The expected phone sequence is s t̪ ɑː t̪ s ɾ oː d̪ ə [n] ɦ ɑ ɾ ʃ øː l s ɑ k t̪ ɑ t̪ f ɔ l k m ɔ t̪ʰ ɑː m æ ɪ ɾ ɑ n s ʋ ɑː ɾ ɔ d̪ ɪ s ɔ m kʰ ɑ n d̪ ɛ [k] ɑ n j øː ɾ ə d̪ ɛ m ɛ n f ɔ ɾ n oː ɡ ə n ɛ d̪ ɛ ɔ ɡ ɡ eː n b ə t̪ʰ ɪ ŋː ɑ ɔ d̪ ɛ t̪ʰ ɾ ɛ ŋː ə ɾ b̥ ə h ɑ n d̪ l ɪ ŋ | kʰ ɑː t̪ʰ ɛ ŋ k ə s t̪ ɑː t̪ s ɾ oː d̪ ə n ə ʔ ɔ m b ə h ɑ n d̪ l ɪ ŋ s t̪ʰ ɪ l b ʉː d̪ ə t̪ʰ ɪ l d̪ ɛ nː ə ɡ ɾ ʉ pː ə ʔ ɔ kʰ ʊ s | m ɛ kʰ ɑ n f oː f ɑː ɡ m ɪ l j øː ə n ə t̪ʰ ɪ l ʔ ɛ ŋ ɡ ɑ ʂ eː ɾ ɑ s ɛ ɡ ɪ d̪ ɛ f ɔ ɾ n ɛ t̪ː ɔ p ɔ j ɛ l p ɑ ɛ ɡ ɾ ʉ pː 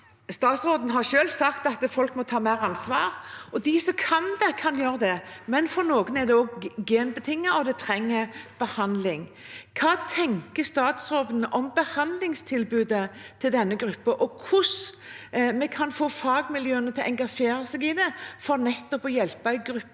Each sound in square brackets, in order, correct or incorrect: correct, incorrect

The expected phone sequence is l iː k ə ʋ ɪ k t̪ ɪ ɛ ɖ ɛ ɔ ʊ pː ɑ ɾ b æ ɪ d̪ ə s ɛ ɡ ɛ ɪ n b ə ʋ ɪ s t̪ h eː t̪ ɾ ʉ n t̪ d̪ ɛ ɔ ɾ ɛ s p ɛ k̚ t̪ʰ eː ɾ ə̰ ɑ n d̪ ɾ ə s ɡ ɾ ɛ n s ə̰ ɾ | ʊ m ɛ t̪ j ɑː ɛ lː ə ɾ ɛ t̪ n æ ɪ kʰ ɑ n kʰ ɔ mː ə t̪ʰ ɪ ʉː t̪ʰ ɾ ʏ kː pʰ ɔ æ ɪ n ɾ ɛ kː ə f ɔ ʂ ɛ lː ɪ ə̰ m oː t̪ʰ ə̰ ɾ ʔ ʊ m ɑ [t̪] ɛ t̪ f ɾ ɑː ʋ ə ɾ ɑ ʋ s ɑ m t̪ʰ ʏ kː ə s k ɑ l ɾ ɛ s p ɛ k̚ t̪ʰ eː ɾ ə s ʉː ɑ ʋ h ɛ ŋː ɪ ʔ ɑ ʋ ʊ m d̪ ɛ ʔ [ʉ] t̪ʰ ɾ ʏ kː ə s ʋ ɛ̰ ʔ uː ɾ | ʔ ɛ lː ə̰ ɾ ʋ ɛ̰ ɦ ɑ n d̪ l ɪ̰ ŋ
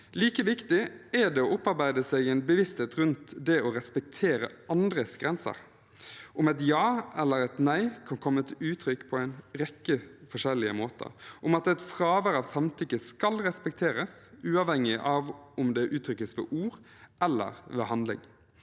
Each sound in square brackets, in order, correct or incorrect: correct, incorrect

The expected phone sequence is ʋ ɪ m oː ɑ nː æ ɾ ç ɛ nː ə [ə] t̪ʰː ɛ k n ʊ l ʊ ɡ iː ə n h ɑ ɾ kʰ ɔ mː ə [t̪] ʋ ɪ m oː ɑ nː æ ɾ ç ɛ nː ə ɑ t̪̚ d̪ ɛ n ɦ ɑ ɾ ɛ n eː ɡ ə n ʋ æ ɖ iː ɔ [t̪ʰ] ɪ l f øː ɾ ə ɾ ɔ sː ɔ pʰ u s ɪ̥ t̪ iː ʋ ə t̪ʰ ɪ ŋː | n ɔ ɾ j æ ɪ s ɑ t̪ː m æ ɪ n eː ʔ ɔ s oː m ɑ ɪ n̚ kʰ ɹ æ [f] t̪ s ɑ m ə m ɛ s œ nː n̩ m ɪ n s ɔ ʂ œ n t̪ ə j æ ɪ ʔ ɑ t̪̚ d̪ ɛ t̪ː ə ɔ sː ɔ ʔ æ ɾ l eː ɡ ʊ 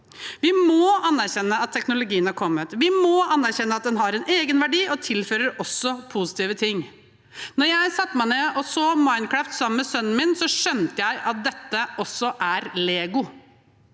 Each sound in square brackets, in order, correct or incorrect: incorrect, correct, correct, correct

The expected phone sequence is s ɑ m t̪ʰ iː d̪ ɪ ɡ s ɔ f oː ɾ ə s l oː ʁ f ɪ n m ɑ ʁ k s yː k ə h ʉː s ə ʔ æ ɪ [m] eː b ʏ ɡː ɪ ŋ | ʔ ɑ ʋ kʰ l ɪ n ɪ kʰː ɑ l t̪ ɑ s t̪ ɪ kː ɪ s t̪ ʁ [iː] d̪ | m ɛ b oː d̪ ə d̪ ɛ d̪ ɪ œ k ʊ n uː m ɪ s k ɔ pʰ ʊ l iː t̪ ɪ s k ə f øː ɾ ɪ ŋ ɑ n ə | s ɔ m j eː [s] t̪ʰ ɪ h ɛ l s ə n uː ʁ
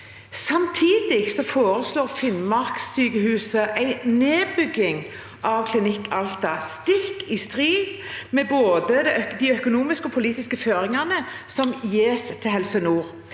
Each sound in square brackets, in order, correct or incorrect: incorrect, correct, correct

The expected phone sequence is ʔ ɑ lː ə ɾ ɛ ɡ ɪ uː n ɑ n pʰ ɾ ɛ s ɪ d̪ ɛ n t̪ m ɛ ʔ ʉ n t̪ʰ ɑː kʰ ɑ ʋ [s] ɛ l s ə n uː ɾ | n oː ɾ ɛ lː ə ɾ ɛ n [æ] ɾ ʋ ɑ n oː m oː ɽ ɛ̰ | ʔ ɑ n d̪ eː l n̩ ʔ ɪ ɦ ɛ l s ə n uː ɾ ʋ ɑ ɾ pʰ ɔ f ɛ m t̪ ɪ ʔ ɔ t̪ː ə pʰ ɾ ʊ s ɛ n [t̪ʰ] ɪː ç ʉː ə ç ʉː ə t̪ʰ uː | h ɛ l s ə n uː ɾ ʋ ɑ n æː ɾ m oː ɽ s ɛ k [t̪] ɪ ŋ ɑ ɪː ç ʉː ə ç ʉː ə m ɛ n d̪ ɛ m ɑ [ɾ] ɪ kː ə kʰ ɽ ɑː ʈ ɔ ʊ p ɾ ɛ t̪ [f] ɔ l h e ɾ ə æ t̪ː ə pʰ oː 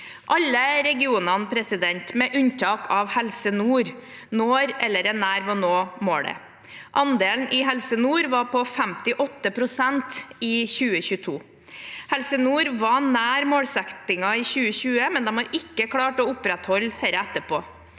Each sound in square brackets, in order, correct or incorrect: incorrect, incorrect, incorrect, correct, correct, incorrect

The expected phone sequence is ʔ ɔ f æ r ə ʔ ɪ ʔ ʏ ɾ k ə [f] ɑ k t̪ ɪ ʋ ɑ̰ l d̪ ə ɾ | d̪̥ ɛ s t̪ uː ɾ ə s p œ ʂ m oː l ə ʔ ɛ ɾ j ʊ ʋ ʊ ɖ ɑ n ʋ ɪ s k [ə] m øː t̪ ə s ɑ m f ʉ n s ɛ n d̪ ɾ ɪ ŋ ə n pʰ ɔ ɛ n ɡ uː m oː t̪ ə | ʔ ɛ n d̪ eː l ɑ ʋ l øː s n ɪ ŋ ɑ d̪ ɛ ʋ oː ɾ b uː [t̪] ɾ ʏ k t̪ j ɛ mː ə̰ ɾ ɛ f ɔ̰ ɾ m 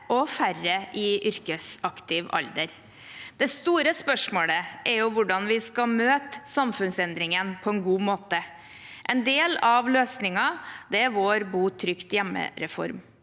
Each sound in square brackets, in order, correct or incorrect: incorrect, incorrect, incorrect

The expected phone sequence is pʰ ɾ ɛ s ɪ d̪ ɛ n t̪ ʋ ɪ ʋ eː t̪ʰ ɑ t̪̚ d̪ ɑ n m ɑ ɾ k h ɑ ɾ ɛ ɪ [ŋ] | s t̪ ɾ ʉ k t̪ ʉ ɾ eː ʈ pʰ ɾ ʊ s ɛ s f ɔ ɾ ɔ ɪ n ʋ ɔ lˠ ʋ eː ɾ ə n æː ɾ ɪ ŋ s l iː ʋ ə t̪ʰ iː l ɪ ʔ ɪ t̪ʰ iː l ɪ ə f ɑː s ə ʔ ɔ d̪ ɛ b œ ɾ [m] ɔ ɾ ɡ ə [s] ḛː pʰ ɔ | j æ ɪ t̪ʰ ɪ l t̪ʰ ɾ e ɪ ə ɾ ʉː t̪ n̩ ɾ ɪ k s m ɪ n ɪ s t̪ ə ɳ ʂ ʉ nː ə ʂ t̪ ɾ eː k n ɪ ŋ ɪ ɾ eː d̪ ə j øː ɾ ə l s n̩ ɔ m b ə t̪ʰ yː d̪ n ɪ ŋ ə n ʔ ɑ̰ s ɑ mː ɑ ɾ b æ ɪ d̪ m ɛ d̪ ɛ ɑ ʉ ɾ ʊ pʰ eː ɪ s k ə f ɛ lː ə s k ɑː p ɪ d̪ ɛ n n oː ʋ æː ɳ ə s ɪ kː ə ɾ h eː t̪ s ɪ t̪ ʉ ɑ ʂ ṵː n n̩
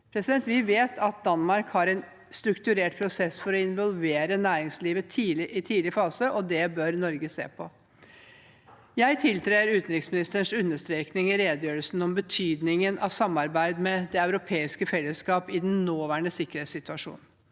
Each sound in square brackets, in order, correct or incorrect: incorrect, incorrect, correct

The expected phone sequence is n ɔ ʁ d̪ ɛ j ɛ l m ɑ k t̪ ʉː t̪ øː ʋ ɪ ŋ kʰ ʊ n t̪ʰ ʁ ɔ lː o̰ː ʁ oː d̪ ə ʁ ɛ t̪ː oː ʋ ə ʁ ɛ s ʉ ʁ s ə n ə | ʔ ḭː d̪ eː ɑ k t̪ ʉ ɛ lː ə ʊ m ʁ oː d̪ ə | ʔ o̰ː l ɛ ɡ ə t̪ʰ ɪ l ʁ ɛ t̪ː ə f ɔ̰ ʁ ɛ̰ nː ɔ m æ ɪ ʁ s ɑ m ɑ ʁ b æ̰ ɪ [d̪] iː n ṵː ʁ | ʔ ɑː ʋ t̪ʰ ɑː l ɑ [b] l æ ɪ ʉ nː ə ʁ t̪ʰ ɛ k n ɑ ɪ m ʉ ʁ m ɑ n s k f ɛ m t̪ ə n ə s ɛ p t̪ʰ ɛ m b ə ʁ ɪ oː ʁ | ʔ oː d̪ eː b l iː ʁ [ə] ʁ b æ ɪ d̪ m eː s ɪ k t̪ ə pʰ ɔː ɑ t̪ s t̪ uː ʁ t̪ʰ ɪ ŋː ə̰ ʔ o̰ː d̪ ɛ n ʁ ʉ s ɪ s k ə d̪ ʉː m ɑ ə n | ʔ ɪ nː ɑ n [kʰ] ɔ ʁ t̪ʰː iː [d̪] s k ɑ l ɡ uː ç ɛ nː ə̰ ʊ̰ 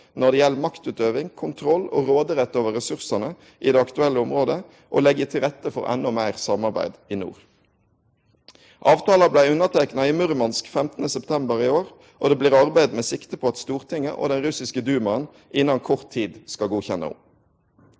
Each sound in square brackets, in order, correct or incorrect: correct, correct, incorrect, correct, correct

